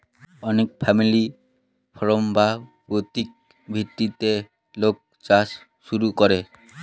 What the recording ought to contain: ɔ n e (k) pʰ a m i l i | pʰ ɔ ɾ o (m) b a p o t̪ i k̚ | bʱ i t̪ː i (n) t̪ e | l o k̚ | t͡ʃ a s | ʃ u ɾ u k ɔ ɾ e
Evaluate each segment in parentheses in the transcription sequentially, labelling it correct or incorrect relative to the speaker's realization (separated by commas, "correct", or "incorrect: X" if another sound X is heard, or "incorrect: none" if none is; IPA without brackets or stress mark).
correct, correct, incorrect: none